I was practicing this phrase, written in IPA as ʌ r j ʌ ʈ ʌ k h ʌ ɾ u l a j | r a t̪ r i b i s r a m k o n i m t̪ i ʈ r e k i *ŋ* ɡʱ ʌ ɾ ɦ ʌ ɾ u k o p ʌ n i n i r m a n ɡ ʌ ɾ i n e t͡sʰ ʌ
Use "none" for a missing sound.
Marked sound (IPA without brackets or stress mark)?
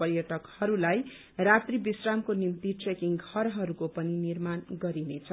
ŋ